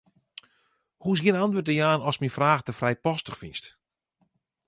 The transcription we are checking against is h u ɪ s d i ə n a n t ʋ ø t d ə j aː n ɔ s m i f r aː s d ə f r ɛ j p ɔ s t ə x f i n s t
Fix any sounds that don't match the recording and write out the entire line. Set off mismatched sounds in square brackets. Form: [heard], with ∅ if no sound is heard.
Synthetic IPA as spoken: h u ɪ s [ɡ] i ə n a n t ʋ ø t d ə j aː n ɔ s m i f r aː [x] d ə f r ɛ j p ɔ s t ə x f i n s t